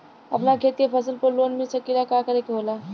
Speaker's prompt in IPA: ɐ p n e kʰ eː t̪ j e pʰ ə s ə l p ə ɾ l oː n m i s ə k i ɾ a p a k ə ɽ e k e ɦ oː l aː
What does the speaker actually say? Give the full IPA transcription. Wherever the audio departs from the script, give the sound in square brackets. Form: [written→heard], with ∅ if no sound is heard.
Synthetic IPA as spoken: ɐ p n [e→a] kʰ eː t̪ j e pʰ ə s ə l p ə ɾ l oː n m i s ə k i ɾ a [p→k] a k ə [ɽ→ɾ] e k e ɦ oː l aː